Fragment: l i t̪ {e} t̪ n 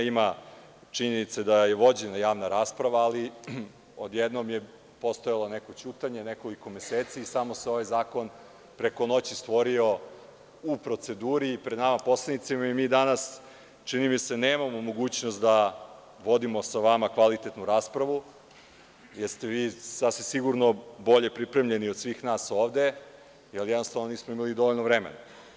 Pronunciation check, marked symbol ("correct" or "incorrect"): correct